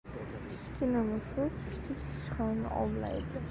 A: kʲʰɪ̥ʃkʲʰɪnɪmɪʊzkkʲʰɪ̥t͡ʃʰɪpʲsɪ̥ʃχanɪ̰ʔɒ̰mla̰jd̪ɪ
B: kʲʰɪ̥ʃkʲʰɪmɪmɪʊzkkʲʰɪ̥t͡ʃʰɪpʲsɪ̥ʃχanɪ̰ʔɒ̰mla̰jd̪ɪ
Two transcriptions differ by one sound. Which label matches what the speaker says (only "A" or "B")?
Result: A